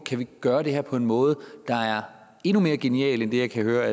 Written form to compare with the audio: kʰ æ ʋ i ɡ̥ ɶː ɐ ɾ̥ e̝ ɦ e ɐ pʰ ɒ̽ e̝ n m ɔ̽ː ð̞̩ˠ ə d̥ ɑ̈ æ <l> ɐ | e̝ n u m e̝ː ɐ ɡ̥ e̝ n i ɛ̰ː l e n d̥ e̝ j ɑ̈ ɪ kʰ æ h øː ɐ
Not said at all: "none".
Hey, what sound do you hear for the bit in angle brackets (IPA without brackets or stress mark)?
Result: none